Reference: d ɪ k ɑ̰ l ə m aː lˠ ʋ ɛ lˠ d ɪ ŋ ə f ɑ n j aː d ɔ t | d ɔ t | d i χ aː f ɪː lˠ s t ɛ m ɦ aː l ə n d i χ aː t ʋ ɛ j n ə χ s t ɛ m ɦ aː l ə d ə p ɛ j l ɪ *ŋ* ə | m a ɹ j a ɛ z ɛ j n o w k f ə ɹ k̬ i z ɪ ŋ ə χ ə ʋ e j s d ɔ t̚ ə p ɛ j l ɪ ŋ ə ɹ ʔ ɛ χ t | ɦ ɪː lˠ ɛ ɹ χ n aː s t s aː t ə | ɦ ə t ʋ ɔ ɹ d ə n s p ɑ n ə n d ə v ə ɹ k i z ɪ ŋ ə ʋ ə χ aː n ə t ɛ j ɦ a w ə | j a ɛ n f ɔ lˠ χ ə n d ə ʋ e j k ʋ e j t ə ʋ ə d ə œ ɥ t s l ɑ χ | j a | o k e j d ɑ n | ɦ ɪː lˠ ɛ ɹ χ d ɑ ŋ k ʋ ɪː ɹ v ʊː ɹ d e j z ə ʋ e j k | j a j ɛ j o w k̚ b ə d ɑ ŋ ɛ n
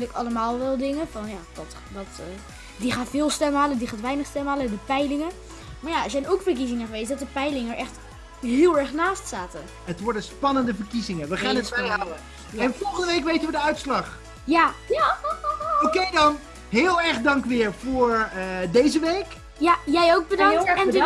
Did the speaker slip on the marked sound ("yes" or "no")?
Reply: no